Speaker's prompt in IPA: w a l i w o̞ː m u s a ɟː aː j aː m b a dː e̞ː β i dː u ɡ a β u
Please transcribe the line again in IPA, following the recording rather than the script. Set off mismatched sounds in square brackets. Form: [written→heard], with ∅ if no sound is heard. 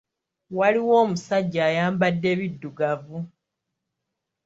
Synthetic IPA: w a l i w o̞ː m u s a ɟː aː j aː m b a dː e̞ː β i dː u ɡ a [β→v] u